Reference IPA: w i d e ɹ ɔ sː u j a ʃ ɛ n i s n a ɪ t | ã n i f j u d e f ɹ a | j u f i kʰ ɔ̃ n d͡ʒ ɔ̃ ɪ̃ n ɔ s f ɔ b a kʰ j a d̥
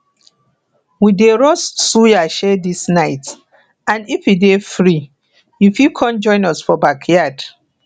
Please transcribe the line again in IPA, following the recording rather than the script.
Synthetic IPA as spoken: w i d e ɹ ɔ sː u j a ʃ ɛ d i s n a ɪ t | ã n i f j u d e f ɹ i | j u f i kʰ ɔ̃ n d͡ʒ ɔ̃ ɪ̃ n ɔ s f ɔ b a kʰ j a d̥